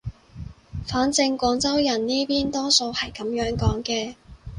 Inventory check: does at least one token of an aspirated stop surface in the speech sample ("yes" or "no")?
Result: no